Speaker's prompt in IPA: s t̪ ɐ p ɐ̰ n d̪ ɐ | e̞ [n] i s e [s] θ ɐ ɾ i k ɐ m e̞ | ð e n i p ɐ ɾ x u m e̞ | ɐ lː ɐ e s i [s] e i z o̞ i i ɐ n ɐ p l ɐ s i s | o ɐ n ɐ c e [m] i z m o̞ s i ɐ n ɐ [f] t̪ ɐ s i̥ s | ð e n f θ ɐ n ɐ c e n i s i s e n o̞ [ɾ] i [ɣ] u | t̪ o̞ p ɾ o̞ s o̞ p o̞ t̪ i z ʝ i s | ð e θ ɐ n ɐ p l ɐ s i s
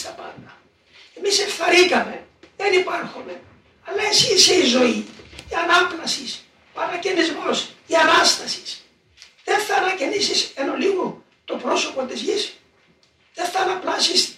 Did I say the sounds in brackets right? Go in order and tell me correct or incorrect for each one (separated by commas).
incorrect, incorrect, correct, incorrect, incorrect, incorrect, correct